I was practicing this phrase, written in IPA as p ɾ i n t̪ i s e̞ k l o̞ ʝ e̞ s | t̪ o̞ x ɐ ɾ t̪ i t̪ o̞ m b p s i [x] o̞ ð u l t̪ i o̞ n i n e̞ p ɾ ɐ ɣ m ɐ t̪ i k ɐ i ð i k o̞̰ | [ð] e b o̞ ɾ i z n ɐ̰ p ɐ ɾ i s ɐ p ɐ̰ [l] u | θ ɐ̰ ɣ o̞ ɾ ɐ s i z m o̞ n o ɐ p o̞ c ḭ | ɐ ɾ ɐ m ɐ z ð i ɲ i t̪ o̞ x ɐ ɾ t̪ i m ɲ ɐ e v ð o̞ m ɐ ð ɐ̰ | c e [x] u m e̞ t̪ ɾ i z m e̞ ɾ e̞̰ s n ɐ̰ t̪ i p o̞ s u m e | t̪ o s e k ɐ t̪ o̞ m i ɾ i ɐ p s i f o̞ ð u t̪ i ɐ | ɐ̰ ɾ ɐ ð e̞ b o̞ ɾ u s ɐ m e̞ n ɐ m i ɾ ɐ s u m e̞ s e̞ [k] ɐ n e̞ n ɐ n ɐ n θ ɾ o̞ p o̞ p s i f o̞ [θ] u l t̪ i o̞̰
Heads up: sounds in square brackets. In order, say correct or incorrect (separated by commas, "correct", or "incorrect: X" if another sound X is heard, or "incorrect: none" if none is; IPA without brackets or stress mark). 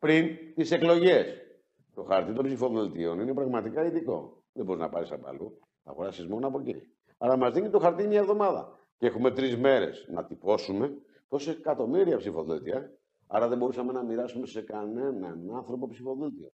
incorrect: f, correct, correct, correct, correct, incorrect: ð